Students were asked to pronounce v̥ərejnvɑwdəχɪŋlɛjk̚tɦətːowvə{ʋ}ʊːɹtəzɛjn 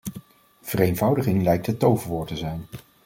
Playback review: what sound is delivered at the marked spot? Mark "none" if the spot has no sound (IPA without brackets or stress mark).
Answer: ʋ